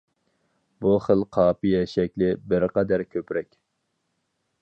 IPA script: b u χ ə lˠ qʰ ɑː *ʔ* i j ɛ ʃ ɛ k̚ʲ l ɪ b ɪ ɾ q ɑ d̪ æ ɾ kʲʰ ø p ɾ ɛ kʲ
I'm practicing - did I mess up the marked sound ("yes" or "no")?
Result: yes